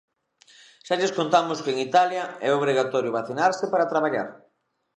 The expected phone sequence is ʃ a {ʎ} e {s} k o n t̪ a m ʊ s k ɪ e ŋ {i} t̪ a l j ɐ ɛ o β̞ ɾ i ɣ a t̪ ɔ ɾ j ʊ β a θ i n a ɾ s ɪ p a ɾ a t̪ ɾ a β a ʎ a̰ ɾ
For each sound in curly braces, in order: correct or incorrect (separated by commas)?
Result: correct, correct, correct